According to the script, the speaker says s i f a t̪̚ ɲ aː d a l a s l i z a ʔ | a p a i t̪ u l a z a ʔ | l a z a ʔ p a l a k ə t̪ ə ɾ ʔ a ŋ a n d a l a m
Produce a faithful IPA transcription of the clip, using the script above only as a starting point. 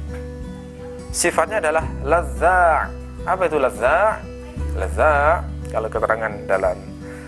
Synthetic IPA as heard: s i f a t̪̚ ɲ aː d a l a h l a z a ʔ | a p a i t̪ u l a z a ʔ | l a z a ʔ k a l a k ə t̪ ə ɾ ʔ a ŋ a n d a l a m